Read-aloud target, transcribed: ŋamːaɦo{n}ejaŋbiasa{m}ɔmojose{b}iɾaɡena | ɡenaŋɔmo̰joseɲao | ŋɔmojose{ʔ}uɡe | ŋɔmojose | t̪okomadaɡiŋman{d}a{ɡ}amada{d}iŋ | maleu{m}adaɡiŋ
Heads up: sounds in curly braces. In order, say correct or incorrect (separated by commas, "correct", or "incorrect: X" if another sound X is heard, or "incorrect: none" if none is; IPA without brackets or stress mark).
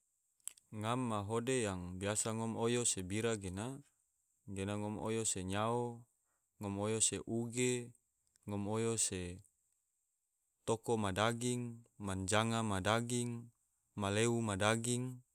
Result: incorrect: d, incorrect: ŋ, correct, correct, incorrect: d͡ʒ, incorrect: ŋ, incorrect: ɡ, correct